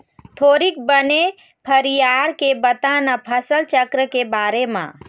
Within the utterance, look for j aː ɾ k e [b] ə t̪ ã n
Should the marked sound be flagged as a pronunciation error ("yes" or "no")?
no